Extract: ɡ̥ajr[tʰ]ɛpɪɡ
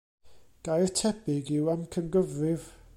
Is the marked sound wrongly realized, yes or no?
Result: no